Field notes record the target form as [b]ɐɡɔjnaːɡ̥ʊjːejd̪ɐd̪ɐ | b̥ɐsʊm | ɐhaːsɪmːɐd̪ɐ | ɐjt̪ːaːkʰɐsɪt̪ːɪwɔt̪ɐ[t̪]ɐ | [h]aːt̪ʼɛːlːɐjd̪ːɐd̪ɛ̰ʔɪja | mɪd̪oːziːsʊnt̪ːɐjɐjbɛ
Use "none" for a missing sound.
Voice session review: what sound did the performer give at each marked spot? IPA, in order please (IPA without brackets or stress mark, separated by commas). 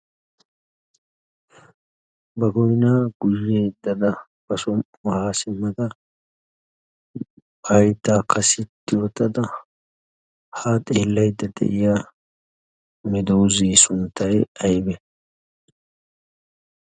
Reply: b, d̪, h